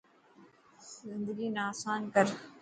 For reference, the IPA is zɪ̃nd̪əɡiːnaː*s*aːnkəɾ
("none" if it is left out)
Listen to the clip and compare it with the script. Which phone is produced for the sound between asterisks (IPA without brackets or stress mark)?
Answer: s